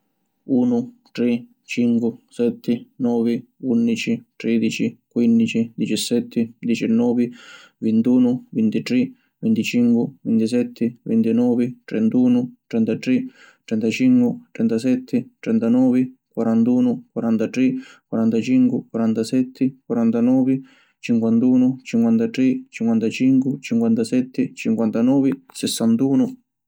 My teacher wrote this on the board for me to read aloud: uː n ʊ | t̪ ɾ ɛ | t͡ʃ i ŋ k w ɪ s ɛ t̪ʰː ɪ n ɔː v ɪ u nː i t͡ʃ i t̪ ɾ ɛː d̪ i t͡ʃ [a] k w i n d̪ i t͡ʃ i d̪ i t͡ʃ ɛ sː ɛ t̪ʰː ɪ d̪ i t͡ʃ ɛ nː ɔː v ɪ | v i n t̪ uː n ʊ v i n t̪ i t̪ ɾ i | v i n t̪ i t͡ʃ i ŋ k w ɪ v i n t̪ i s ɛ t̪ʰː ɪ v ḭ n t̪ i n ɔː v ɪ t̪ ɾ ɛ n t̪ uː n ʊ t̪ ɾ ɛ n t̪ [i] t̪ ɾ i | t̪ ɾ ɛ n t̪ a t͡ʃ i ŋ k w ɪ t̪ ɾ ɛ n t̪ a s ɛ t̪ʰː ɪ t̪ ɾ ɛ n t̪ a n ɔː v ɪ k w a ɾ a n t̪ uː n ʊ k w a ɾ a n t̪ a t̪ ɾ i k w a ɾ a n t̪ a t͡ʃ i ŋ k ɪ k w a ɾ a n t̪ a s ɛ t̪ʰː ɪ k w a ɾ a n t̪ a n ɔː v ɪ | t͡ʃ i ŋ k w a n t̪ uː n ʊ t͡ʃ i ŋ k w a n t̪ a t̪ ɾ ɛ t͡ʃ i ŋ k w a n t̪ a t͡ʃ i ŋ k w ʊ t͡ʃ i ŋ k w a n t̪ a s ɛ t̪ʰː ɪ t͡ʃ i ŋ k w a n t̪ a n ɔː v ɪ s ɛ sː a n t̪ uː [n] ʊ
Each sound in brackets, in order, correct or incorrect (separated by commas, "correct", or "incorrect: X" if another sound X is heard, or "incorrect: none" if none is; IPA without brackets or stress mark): incorrect: i, incorrect: a, correct